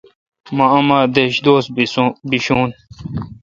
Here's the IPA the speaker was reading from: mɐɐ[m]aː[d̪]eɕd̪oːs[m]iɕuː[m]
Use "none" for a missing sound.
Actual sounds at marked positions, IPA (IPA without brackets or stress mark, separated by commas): m, d̪, b, n